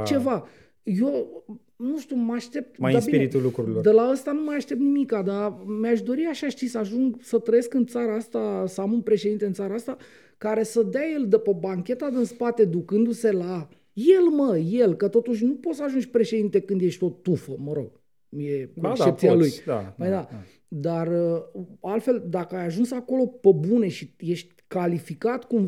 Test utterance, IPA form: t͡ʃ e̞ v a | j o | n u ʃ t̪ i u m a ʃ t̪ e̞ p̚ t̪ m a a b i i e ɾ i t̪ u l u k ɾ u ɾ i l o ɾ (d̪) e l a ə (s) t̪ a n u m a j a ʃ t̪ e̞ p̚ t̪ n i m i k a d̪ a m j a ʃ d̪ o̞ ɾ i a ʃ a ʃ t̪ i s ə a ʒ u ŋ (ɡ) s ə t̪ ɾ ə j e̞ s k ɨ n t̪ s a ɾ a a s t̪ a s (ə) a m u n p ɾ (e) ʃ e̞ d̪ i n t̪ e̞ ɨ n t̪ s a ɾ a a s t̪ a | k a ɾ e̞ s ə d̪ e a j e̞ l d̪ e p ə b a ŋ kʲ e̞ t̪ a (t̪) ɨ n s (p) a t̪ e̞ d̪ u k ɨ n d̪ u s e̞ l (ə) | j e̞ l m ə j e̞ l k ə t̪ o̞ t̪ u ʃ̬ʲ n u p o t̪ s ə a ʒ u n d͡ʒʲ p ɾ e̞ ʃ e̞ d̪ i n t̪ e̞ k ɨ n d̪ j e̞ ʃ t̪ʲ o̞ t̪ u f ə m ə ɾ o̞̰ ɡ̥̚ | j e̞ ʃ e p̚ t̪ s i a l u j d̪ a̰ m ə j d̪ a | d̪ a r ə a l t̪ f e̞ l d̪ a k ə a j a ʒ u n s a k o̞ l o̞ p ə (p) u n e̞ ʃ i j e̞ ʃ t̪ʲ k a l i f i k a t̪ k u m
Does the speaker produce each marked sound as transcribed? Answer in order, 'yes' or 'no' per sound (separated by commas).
yes, yes, yes, yes, yes, no, yes, no, no